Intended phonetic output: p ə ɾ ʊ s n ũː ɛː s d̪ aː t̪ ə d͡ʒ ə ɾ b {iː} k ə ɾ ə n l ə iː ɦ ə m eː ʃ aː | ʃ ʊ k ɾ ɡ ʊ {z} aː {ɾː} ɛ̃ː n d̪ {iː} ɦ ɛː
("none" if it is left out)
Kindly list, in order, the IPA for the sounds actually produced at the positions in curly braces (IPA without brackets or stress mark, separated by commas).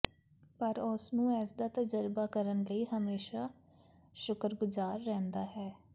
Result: aː, z, ɾː, aː